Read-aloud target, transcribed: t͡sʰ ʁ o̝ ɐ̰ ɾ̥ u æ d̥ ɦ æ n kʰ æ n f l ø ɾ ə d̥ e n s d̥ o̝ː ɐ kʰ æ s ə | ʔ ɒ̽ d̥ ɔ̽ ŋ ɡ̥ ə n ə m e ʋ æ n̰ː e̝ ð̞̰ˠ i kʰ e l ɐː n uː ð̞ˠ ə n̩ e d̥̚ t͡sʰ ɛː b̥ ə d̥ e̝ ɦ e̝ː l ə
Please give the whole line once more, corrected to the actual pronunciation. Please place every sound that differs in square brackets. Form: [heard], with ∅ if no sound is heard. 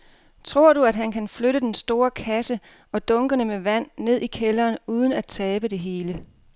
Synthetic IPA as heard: t͡sʰ ʁ o̝ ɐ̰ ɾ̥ u æ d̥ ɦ æ n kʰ æ n f l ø ɾ ə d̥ e n s d̥ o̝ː ɐ kʰ æ s ə | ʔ ɒ̽ d̥ ɔ̽ ŋ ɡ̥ ə n ə m e ʋ æ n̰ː e̝ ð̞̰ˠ i kʰ e l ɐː n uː ð̞ˠ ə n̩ [æ] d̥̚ t͡sʰ ɛː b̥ ə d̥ e̝ ɦ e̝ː l ə